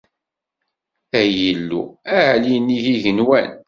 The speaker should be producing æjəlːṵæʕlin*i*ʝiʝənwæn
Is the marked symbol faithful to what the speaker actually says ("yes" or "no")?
yes